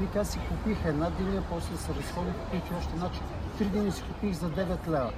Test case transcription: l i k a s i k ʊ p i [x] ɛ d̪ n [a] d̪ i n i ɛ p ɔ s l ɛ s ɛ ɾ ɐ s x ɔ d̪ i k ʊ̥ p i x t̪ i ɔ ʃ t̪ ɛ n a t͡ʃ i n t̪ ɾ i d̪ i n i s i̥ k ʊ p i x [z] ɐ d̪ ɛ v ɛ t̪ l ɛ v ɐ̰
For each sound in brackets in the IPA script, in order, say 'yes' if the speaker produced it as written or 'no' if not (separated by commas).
yes, yes, yes